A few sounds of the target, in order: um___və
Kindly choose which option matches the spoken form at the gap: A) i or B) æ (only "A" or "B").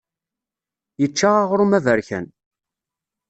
B